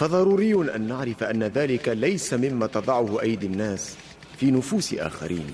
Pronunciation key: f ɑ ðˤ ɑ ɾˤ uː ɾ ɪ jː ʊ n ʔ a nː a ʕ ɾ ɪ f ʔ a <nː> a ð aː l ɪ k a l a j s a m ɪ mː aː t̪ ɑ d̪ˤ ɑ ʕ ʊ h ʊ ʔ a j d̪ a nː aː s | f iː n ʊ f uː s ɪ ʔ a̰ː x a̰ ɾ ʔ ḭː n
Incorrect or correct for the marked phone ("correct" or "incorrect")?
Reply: correct